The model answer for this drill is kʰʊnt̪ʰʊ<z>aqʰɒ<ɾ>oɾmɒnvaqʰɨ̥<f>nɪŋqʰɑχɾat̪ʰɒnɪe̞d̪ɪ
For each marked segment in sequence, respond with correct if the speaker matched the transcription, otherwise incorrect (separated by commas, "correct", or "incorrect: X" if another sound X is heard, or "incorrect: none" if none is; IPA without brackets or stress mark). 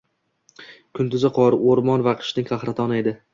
correct, correct, incorrect: ʃ